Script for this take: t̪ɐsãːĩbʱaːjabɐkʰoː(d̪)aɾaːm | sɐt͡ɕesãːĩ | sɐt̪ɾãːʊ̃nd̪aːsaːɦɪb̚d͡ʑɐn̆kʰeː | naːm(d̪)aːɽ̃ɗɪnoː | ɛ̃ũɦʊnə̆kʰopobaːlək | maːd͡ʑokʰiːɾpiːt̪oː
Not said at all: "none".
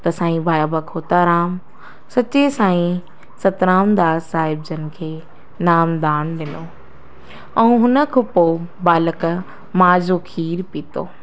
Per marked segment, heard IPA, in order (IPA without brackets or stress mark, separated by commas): t̪, d̪